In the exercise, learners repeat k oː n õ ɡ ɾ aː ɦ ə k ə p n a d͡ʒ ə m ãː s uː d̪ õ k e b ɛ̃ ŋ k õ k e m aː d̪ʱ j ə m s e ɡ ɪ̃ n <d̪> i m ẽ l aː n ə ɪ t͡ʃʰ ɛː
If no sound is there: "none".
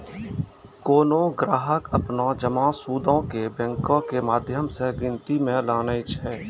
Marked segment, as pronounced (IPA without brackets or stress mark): t̪